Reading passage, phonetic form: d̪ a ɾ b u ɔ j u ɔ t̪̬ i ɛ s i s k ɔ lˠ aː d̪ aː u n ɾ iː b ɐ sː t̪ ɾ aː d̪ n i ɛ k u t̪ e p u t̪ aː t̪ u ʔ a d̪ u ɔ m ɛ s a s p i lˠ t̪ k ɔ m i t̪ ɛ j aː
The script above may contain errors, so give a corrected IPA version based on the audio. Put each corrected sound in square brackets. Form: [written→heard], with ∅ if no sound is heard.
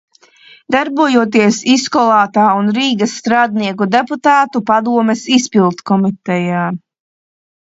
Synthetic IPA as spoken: d̪ a ɾ b u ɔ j u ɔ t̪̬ i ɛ s i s k ɔ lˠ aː [d̪→t̪] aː u n ɾ iː [b→ɡ] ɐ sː t̪ ɾ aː d̪ n i ɛ k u [t̪→d̪] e p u t̪ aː t̪ u [ʔ→p] a d̪ u ɔ m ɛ s [a→i] s p i lˠ t̪ k ɔ m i t̪ ɛ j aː